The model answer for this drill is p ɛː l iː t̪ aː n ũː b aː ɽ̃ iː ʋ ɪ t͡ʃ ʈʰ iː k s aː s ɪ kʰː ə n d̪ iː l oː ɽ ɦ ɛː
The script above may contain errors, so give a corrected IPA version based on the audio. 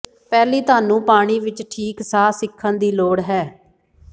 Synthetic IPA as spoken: p ɛː l iː t̪ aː n ũː p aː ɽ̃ iː ʋ ɪ t͡ʃ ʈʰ iː k s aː s ɪ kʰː ə n d̪ iː l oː ɽ ɦ ɛː